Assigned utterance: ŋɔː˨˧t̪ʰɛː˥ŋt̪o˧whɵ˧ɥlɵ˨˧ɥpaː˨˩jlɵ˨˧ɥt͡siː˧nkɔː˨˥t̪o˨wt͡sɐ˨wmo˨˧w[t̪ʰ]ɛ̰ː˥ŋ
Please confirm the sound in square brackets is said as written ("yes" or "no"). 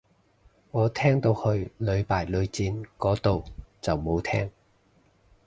yes